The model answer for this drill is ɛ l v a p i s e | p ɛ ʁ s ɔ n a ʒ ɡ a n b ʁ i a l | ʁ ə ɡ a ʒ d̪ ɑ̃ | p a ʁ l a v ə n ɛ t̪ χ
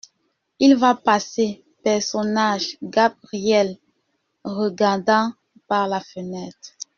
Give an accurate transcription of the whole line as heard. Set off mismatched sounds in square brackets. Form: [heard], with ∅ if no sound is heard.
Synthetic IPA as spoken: [i] l v a p [a] s e | p ɛ ʁ s ɔ n a ʒ ɡ a [∅] b ʁ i [ɛ] l | ʁ ə ɡ a [ʁ] d̪ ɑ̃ | p a ʁ l a [f] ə n ɛ t̪ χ